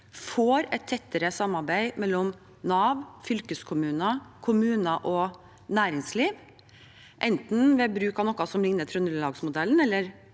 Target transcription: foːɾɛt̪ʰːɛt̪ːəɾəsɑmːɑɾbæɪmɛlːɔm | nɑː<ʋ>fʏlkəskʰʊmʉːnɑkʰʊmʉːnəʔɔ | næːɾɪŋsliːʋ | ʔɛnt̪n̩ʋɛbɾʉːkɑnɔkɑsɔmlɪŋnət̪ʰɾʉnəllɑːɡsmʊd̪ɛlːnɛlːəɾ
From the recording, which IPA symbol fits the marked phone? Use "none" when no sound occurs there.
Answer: ʋ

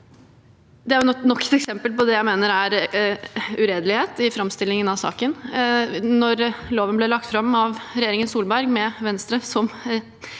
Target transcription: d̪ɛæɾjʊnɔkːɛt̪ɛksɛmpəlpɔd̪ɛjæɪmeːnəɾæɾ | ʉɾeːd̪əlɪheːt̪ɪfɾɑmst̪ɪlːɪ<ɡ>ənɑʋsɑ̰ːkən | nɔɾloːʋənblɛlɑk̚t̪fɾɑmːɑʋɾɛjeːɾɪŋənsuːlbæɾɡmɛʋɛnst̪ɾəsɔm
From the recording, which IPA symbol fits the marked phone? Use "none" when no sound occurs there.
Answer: ŋ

